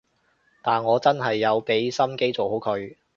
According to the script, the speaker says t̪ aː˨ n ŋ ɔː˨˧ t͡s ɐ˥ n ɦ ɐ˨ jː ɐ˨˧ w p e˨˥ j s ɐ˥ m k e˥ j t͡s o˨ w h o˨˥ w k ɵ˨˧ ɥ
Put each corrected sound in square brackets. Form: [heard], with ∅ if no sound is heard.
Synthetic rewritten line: t̪ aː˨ n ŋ ɔː˨˧ t͡s ɐ˥ n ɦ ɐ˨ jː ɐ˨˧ w p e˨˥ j s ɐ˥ m k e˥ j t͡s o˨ w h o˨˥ w [kʰ] ɵ˨˧ ɥ